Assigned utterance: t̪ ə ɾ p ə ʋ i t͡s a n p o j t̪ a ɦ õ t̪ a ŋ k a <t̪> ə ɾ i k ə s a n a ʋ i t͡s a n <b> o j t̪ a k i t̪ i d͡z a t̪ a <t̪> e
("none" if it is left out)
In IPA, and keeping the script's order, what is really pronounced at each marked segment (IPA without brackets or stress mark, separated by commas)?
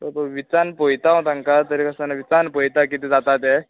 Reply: t̪, p, t̪